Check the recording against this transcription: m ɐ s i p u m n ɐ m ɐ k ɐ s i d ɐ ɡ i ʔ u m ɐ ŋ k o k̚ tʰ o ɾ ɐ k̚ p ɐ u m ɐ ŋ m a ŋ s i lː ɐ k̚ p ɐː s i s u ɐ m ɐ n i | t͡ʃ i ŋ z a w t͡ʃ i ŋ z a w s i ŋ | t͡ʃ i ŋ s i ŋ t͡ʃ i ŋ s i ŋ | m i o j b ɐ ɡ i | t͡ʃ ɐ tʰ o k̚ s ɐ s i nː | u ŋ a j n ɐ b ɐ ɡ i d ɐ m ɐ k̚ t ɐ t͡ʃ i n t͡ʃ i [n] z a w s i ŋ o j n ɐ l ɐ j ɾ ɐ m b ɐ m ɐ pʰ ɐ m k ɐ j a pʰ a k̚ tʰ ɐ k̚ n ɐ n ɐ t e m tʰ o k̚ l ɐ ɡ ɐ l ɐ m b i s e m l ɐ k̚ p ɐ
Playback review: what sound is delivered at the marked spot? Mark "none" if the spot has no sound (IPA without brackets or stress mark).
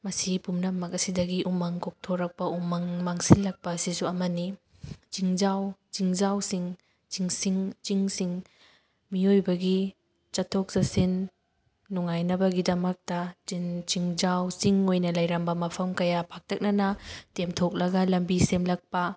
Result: ŋ